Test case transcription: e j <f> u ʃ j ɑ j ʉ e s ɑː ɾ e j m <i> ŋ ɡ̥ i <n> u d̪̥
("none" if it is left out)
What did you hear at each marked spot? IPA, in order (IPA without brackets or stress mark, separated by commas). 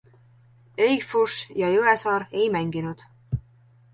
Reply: f, æ, n